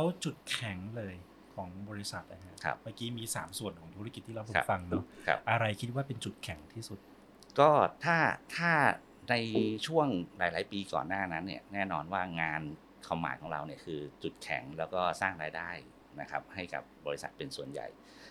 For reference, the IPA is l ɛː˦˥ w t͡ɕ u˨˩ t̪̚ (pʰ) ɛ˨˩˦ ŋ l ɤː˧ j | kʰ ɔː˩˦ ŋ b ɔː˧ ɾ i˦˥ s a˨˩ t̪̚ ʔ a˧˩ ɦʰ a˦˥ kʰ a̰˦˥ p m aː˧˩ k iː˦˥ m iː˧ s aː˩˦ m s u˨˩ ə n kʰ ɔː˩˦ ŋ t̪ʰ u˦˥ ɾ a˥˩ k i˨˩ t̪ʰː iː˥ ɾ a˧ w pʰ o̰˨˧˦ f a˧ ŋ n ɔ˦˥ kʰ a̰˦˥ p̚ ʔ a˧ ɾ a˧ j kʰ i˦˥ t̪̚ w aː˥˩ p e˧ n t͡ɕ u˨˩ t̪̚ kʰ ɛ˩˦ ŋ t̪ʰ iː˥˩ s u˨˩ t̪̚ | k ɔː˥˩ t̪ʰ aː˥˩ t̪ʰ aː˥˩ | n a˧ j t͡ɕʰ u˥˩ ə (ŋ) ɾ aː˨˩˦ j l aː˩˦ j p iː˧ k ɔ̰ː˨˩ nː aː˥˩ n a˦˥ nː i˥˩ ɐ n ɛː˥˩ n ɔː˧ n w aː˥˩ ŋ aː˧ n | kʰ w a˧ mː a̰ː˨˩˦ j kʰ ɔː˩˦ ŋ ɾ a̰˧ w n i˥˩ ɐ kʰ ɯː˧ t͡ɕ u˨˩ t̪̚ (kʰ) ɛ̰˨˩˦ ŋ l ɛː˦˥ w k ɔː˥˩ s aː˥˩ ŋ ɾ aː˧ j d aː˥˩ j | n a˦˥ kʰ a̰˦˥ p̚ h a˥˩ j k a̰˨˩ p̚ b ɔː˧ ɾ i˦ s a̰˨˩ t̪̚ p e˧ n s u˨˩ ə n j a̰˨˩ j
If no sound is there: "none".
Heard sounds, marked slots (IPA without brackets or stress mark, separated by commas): kʰ, ŋ, kʰ